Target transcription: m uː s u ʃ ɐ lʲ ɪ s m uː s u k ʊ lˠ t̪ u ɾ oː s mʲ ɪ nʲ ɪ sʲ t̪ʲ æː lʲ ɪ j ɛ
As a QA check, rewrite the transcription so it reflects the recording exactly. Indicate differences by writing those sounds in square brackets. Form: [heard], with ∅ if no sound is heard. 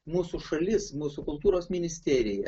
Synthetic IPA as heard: m uː s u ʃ ɐ lʲ ɪ s m uː s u k ʊ lˠ t̪ [uː] ɾ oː s mʲ ɪ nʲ ɪ sʲ t̪ʲ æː [ɾʲ] ɪ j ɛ